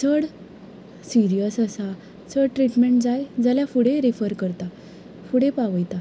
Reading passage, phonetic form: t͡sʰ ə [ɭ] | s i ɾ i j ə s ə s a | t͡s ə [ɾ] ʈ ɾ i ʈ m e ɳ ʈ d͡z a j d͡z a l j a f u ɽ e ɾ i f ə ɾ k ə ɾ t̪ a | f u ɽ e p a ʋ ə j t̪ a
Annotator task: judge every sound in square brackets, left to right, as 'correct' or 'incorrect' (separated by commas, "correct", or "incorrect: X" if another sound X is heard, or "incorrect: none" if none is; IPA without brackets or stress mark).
incorrect: ɽ, incorrect: ɽ